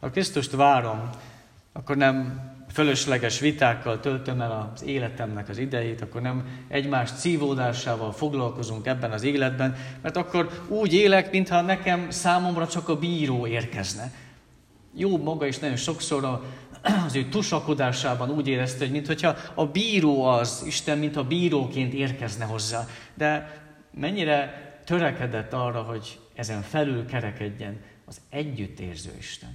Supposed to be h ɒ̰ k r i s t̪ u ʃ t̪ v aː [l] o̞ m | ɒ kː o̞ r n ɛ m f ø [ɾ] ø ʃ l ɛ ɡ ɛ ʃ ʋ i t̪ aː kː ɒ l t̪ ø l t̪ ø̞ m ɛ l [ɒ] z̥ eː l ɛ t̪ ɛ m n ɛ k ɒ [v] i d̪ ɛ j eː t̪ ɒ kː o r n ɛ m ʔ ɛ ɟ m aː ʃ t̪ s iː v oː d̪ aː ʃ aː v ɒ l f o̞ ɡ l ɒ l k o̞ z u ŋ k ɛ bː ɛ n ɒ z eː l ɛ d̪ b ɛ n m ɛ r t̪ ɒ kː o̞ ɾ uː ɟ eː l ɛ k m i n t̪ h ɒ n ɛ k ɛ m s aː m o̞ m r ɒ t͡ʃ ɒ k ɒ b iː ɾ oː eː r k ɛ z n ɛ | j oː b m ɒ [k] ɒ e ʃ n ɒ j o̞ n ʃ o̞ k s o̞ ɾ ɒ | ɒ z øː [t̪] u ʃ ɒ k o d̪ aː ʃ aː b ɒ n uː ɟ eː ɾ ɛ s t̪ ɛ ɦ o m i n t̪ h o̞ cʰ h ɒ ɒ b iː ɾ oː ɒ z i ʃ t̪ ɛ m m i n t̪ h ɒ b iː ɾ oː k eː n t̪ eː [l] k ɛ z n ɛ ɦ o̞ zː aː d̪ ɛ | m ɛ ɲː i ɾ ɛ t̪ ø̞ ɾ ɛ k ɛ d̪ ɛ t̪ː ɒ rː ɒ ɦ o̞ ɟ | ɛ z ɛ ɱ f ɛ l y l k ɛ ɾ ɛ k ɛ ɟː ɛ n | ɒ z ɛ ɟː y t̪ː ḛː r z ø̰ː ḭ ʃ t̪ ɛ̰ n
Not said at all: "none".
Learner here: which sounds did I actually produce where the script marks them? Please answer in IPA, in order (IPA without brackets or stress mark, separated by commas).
ɾ, l, ɒ, z, ɡ, t̪, r